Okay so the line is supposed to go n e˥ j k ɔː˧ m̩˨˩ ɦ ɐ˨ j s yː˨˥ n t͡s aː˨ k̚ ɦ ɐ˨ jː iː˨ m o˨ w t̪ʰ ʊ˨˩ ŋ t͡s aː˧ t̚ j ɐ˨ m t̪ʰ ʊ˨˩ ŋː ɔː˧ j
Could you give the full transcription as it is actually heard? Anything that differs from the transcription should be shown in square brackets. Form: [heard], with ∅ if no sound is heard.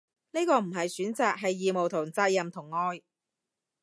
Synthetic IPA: n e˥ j k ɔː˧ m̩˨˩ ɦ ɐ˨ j s yː˨˥ n t͡s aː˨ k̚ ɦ ɐ˨ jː iː˨ m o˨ w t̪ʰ ʊ˨˩ ŋ t͡s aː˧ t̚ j ɐ˨ m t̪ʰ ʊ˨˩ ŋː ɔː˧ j